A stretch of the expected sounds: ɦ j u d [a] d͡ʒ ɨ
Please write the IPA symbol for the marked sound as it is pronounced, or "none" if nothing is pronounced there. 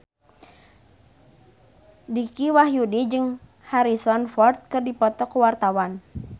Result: i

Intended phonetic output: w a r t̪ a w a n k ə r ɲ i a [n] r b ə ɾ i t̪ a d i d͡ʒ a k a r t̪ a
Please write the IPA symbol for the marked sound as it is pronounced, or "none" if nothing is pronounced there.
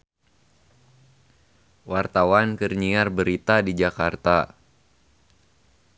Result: none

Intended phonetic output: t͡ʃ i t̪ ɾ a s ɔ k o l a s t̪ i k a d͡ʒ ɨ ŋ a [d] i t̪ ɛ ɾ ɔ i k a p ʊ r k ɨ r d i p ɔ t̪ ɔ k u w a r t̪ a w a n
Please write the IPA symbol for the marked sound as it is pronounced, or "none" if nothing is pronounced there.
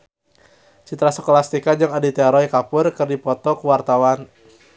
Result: d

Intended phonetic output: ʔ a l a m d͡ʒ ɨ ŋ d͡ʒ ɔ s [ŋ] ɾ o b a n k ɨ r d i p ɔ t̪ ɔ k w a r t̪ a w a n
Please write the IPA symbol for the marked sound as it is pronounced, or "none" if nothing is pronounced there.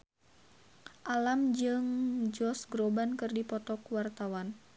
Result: ɡ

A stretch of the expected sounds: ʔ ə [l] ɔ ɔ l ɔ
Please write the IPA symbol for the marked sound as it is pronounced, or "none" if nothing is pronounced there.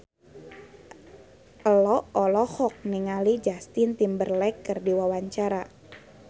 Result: l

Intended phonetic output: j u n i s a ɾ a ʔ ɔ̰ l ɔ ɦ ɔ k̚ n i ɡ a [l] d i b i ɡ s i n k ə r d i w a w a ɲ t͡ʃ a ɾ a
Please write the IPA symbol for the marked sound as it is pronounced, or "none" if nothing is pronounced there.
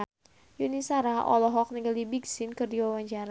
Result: l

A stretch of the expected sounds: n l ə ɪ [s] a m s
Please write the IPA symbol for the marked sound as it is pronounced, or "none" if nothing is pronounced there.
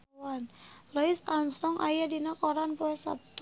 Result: s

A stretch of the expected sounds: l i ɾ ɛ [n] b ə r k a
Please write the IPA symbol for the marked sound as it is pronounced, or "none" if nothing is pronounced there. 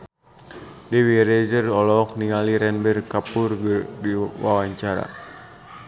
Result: n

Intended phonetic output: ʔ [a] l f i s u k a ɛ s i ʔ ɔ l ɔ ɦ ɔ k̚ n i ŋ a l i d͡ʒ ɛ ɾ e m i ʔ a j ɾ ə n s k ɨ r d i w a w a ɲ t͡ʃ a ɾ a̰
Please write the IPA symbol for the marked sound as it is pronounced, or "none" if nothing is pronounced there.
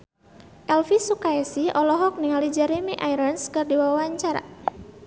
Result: ɛ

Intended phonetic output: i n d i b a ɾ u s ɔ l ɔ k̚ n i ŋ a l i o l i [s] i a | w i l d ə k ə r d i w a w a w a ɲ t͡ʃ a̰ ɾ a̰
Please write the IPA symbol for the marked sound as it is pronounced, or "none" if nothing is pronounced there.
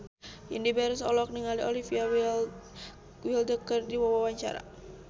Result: f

